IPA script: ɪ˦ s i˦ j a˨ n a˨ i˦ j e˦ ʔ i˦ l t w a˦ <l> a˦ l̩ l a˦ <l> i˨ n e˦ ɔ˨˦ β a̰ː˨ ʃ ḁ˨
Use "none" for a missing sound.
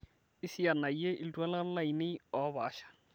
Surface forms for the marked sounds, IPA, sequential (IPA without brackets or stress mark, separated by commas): l, none